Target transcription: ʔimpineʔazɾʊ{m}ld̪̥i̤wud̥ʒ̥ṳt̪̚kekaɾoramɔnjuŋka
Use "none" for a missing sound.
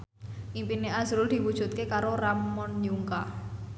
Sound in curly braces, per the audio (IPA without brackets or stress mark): none